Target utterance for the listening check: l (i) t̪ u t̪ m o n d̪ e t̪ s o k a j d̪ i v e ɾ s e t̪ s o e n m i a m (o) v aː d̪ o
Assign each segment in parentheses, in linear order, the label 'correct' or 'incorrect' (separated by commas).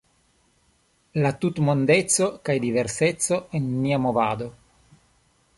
incorrect, correct